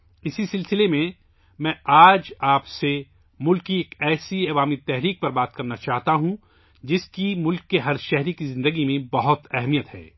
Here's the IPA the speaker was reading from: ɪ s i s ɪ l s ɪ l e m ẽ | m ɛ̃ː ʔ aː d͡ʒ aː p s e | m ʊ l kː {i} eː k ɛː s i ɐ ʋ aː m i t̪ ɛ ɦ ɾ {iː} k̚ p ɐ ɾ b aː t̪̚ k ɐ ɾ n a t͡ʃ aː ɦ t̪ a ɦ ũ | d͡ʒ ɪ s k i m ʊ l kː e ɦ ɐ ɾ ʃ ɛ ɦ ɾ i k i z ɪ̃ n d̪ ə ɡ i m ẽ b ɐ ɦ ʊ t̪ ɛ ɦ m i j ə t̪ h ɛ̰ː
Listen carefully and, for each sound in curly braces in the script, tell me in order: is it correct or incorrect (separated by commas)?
correct, correct